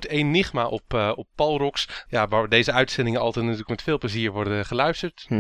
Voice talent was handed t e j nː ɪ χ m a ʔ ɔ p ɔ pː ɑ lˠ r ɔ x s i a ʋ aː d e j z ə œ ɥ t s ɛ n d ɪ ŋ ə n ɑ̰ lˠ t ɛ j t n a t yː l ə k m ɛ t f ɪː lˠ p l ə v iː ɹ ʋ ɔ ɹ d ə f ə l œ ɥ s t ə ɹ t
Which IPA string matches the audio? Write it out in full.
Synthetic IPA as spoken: t e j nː ɪ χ m a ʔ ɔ p ɔ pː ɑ lˠ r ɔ k s j a ʋ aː d e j z ə œ ɥ t s ɛ n d ɪ ŋ ə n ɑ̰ lˠ t ɛ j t n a t yː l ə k m ɛ t f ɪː lˠ p l ə z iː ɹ ʋ ɔ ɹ d ə χ ə l œ ɥ s t ə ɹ t